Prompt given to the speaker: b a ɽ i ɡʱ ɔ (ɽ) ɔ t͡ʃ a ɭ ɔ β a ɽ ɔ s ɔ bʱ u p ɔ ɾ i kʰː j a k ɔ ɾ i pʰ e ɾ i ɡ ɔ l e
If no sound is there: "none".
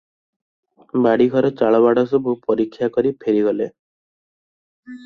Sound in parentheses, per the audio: ɾ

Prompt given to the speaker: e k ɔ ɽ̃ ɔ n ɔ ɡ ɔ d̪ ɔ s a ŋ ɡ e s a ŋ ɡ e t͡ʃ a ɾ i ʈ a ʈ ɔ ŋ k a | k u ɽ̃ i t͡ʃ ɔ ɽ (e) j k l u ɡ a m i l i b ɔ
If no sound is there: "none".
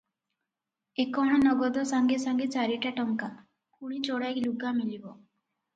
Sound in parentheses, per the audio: a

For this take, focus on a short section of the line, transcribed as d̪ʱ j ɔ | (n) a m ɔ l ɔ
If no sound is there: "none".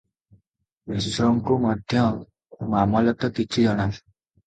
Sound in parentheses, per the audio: m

